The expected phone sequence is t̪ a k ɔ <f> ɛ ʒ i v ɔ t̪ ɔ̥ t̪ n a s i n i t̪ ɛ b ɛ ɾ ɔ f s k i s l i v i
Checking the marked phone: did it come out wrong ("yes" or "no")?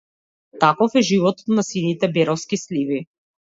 no